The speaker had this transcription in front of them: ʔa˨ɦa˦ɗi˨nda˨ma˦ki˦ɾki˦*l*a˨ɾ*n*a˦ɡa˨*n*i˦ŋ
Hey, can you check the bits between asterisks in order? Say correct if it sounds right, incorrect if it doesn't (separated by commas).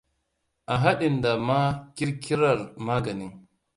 incorrect, incorrect, correct